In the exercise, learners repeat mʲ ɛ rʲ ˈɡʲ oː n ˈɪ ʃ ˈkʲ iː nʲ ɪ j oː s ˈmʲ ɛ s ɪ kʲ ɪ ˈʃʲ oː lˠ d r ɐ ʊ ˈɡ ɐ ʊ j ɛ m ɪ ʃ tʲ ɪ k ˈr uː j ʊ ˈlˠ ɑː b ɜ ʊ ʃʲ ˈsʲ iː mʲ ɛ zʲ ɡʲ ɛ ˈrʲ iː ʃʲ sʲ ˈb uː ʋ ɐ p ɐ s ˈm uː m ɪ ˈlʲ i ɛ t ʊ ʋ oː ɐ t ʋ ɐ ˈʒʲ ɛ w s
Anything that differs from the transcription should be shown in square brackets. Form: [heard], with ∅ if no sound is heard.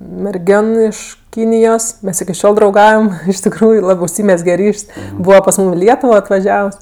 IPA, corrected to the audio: mʲ ɛ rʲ ˈɡʲ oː n ˈɪ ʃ ˈkʲ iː nʲ ɪ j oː s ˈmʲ ɛ s ɪ kʲ ɪ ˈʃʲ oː lˠ d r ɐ ʊ ˈɡ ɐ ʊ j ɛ m ɪ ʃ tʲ ɪ k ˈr uː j ʊ ˈlˠ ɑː b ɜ ʊ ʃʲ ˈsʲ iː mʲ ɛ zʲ ɡʲ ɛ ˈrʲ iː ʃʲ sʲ ˈb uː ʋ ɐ p ɐ s ˈm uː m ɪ ˈlʲ i ɛ t ʊ ʋ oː ɐ t ʋ ɐ ˈʒʲ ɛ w s